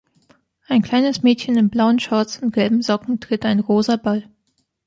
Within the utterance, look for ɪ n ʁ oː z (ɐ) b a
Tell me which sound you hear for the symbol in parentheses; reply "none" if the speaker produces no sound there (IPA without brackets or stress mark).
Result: ɐ